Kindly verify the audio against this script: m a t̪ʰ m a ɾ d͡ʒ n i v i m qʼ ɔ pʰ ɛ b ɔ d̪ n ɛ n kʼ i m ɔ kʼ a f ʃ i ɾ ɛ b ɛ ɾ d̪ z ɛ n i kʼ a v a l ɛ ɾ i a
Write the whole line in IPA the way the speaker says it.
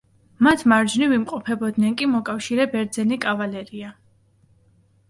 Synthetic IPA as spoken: m a t̪ʰ m a ɾ d͡ʒ n i v i m qʼ ɔ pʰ ɛ b ɔ d̪ n ɛ n kʼ i m ɔ kʼ a f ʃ i ɾ ɛ b ɛ ɾ d̪ z ɛ n i kʼ a v a l ɛ ɾ i a

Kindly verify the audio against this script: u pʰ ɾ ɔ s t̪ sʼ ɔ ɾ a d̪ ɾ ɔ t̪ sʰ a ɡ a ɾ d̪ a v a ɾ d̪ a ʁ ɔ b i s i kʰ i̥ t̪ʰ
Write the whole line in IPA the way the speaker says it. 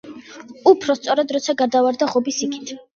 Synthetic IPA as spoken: u pʰ ɾ ɔ s t̪ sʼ ɔ ɾ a d̪ ɾ ɔ t̪ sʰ a ɡ a ɾ d̪ a v a ɾ d̪ a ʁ ɔ b i s i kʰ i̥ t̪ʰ

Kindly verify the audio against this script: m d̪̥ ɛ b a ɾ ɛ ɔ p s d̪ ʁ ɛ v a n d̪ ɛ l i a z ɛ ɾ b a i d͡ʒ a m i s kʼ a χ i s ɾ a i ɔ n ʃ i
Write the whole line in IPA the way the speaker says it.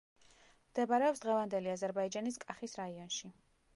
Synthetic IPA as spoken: m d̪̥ ɛ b a ɾ ɛ ɔ p s d̪ ʁ ɛ v a n d̪ ɛ l i a z ɛ ɾ b a i d͡ʒ a n i s kʼ a χ i s ɾ a i ɔ n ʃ i

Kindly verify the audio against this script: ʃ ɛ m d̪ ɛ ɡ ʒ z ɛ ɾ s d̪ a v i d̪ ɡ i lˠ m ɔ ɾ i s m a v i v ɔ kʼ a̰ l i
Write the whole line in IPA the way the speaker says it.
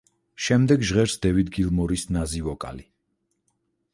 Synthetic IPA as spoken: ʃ ɛ m d̪ ɛ ɡ ʒ ʁ ɛ ɾ s d̪ ɛ v i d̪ ɡ i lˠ m ɔ ɾ i s n a z i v ɔ kʼ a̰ l i

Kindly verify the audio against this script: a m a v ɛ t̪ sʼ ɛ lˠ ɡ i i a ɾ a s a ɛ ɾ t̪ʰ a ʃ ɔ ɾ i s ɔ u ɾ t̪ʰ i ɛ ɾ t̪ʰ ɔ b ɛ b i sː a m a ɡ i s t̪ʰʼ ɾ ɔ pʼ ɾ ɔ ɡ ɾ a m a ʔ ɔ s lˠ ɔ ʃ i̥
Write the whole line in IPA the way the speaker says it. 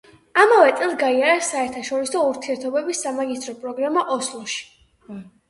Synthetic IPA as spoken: a m a v ɛ t̪ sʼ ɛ lˠ ɡ a i a ɾ a s a ɛ ɾ t̪ʰ a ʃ ɔ ɾ i s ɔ u ɾ t̪ʰ i ɛ ɾ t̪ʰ ɔ b ɛ b i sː a m a ɡ i s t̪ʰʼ ɾ ɔ pʼ ɾ ɔ ɡ ɾ a m a ʔ ɔ s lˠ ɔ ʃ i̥

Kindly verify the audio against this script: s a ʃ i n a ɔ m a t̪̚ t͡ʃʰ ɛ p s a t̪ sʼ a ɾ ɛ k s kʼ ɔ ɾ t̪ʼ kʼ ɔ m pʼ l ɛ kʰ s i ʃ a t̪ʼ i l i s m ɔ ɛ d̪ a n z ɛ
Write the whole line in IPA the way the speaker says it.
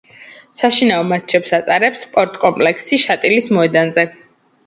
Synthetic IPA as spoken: s a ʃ i n a ɔ m a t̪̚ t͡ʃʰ ɛ p s a t̪ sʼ a ɾ ɛ p s pʼ ɔ ɾ t̪ʼ kʼ ɔ m pʼ l ɛ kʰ s i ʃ a t̪ʼ i l i s m ɔ ɛ d̪ a n z ɛ

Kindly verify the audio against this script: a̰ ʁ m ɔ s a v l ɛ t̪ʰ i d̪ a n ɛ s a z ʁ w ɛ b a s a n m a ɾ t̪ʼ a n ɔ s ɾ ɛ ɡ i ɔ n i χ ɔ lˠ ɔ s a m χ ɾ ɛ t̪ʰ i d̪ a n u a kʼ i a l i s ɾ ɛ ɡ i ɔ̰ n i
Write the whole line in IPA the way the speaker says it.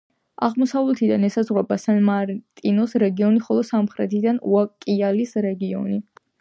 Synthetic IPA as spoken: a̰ ʁ m ɔ s a v l ɛ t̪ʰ i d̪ a n ɛ s a z ʁ w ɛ b a s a n m a ɾ t̪ʼ i n ɔ s ɾ ɛ ɡ i ɔ n i χ ɔ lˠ ɔ s a m χ ɾ ɛ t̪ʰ i d̪ a n u a kʼ i a l i s ɾ ɛ ɡ i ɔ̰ n i

